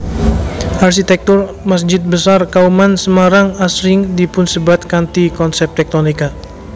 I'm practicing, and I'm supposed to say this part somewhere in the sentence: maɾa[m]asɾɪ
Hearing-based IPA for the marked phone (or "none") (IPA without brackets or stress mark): ŋ